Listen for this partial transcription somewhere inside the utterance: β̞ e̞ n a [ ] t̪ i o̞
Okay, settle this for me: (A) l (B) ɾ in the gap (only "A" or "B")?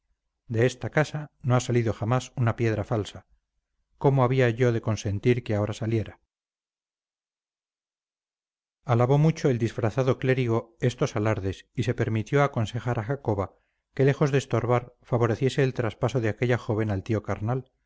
A